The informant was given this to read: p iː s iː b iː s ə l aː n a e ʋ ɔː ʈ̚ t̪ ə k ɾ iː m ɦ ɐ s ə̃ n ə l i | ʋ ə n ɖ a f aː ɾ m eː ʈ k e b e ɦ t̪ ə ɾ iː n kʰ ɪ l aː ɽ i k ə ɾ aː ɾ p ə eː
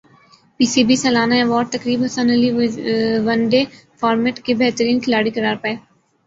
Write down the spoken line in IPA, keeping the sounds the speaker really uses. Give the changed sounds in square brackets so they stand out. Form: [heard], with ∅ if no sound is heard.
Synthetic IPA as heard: p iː s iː b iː s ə l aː n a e ʋ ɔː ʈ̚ t̪ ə k ɾ iː [b] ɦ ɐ s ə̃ n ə l i | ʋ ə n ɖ [e] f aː ɾ m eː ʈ k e b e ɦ t̪ ə ɾ iː n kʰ ɪ l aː ɽ i k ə ɾ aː ɾ p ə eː

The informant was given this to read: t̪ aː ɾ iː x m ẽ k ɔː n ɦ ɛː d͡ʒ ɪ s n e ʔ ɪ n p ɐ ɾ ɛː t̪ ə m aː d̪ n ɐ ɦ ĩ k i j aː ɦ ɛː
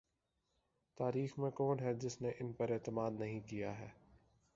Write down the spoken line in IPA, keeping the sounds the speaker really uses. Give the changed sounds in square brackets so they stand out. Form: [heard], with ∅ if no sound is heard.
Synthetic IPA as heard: t̪ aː ɾ iː x m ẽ k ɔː n ɦ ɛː d͡ʒ ɪ s n e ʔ ɪ n p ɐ ɾ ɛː t̪ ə m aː d̪ n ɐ ɦ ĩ k i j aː ɦ ɛː

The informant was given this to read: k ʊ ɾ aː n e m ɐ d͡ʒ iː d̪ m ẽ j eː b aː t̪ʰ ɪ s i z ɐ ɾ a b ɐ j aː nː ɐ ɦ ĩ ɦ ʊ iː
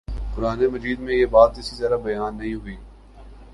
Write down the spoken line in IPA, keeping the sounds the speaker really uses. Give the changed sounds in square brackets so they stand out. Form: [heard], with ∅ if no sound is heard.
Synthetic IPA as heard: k ʊ ɾ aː n e m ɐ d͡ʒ iː d̪ m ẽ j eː b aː [t̪] ɪ s i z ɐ ɾ a b ɐ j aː nː ɐ ɦ ĩ ɦ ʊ iː

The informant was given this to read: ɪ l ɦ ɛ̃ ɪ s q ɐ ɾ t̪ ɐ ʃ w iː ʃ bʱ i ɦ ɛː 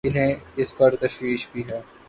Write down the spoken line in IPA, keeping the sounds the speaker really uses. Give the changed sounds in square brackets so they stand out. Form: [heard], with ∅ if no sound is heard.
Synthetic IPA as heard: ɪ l ɦ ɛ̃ ɪ s [p] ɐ ɾ t̪ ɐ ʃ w iː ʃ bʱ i ɦ ɛː

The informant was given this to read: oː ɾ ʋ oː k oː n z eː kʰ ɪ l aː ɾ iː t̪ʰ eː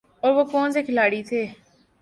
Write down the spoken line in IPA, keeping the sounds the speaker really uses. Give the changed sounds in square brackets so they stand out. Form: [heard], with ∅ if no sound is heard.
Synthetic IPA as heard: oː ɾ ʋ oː k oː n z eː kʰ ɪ l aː [ɽ] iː t̪ʰ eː

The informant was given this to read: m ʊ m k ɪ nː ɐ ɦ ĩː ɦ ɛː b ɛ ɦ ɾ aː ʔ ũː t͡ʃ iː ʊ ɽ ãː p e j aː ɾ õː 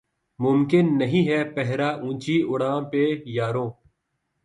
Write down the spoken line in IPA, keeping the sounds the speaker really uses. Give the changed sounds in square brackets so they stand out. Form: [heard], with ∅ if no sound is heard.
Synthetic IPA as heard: m ʊ m k ɪ nː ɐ ɦ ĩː ɦ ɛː [p] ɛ ɦ ɾ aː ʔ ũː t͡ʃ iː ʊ ɽ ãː p e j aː ɾ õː

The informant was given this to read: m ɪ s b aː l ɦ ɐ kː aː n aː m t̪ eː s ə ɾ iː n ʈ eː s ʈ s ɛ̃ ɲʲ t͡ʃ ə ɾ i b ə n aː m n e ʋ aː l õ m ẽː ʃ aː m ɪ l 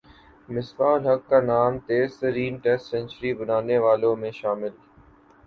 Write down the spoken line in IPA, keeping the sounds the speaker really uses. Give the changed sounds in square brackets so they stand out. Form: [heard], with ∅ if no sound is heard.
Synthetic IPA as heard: m ɪ s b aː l ɦ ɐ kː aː n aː m t̪ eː s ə ɾ iː n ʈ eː s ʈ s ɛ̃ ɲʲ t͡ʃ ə ɾ i b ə n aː [∅] n e ʋ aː l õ m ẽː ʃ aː m ɪ l

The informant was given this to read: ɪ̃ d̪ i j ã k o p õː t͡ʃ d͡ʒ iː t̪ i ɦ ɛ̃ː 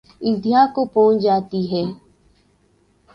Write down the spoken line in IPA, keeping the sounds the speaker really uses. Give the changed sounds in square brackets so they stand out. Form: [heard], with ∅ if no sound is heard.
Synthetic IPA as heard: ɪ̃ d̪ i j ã k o p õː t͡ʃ d͡ʒ [aː] t̪ i ɦ [ɛː]

